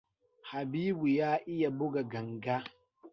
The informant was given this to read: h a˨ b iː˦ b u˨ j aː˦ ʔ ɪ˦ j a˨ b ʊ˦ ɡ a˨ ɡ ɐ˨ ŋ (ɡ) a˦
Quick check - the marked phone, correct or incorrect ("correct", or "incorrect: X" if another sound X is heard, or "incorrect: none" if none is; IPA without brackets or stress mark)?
correct